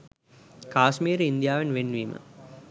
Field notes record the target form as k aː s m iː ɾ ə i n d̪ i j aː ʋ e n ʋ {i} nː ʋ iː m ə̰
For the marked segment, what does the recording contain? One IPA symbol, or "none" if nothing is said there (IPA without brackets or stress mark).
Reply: e